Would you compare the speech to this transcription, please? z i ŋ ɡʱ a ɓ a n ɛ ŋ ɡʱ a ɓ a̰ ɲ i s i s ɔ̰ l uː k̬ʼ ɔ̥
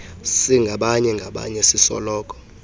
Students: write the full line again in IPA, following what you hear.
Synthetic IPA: s i ŋ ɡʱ a ɓ a ɲ ɛ ŋ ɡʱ a ɓ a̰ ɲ ɛ s i s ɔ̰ l ɔː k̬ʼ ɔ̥